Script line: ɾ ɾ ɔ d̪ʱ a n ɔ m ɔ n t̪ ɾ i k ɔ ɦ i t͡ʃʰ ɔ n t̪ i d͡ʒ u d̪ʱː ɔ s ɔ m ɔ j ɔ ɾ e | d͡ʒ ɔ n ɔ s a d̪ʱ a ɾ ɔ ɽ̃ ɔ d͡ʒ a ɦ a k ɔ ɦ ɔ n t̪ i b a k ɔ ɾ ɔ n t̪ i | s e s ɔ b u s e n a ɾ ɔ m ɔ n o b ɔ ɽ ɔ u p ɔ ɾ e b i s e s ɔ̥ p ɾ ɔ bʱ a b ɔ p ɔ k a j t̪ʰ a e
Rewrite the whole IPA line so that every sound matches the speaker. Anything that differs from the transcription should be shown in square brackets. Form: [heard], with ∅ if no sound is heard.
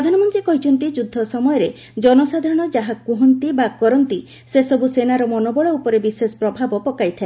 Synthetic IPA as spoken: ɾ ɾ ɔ d̪ʱ a n ɔ m ɔ n t̪ ɾ i k ɔ ɦ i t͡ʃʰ ɔ n t̪ i d͡ʒ u d̪ʱː ɔ s ɔ m ɔ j ɔ ɾ e | d͡ʒ ɔ n ɔ s a d̪ʱ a ɾ ɔ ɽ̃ ɔ d͡ʒ a ɦ a k [u] ɦ ɔ n t̪ i b a k ɔ ɾ ɔ n t̪ i | s e s ɔ b u s e n a ɾ ɔ m ɔ n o b ɔ [ɭ] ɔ u p ɔ ɾ e b i s e s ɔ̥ p ɾ ɔ bʱ a b ɔ p ɔ k a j t̪ʰ a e